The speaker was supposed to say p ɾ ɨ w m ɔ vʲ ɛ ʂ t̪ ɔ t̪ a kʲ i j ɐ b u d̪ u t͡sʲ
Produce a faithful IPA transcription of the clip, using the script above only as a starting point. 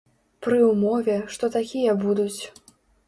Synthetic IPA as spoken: p ɾ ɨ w m ɔ vʲ ɛ ʂ t̪ ɔ t̪ a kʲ i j ɐ b u d̪ u t͡sʲ